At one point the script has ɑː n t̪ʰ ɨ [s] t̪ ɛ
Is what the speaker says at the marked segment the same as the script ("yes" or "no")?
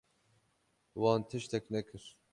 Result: no